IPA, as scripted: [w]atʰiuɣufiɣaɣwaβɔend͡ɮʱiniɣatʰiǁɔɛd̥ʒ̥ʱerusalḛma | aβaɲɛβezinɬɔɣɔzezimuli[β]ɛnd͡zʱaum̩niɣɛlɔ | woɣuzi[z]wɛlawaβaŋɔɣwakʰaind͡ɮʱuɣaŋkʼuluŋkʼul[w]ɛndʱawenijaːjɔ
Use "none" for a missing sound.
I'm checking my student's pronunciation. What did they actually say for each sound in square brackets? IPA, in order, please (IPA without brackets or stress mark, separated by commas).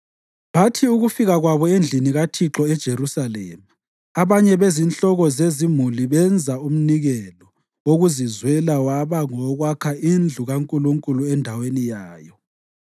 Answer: β, β, z, u